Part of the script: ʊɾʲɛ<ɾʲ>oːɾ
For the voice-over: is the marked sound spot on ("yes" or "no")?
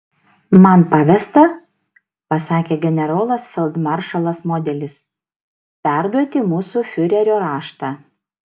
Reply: yes